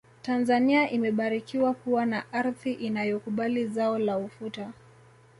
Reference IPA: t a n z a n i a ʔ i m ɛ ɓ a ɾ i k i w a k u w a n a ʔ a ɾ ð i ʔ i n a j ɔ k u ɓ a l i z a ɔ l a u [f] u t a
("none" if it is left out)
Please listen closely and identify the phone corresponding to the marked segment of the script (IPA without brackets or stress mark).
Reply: f